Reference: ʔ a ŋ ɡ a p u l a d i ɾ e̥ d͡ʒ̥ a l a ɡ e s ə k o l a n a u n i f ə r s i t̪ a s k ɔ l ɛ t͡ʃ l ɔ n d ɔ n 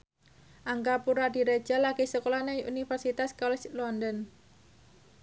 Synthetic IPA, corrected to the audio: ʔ a ŋ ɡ a p u ɾ a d i ɾ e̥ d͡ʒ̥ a l a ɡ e s ə k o l a n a u n i f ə r s i t̪ a s k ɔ l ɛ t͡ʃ l ɔ n d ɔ n